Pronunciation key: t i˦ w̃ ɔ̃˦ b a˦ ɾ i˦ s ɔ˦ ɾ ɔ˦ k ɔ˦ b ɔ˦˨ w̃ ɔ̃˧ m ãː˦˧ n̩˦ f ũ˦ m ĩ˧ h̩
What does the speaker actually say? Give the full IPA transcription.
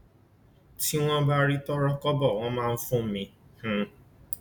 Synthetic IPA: t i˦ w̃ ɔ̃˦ b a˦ ɾ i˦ t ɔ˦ ɾ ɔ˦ k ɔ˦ b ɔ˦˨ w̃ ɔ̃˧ m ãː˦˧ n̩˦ f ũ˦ m ĩ˧ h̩